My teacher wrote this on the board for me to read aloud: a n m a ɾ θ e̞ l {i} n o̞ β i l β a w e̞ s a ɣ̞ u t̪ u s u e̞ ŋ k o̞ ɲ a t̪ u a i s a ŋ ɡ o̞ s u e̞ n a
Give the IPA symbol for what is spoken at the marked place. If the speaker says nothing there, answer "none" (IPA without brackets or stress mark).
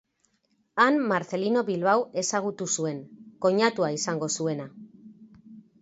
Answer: i